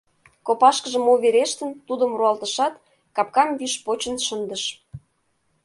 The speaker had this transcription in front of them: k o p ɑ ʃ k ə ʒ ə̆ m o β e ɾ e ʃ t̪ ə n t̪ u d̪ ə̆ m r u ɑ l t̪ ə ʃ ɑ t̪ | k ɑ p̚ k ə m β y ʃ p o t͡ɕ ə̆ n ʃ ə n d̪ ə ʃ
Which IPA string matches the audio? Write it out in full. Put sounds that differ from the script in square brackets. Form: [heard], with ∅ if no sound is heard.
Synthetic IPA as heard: k o p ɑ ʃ k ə ʒ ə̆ m o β e ɾ e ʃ t̪ ə n t̪ u d̪ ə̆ m r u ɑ l t̪ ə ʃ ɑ t̪ | k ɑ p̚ k [ɑ] m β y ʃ p o t͡ɕ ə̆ n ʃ ə n d̪ ə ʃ